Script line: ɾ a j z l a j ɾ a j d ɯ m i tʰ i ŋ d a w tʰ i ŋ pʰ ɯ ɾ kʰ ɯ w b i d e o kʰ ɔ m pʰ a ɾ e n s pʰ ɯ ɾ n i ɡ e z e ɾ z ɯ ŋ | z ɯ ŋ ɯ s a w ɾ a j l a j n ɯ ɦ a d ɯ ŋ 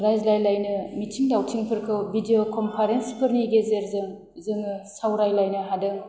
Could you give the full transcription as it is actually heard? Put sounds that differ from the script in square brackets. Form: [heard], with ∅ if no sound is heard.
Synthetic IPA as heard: ɾ a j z l a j [l] a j [n] ɯ m i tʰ i ŋ d a w tʰ i ŋ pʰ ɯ ɾ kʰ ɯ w b i d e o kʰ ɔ m pʰ a ɾ e n s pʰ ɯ ɾ n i ɡ e z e ɾ z ɯ ŋ | z ɯ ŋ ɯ s a w ɾ a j l a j n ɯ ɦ a d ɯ ŋ